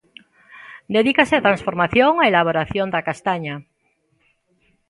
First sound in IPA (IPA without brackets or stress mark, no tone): d̪